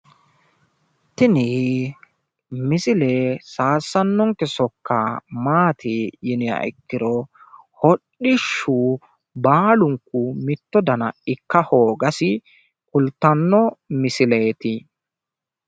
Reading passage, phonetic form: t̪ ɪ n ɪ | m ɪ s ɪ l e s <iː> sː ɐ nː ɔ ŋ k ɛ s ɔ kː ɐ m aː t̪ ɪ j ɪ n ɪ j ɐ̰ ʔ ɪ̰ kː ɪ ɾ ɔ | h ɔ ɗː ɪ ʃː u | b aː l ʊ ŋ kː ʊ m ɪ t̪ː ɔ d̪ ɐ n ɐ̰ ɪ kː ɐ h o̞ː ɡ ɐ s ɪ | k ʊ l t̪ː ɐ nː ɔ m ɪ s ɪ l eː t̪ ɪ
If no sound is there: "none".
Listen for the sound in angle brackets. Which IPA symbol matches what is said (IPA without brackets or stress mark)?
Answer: aː